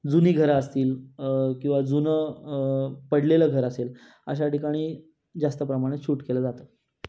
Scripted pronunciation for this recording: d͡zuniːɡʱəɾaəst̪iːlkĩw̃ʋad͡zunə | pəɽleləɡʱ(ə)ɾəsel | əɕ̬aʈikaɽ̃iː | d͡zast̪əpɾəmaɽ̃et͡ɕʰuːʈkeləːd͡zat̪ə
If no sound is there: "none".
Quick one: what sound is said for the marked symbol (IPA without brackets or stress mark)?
ə